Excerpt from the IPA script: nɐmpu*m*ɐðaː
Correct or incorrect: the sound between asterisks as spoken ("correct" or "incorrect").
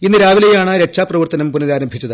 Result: incorrect